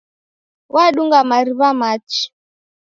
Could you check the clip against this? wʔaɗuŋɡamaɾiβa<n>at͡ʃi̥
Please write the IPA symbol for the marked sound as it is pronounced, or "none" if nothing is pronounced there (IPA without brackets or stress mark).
m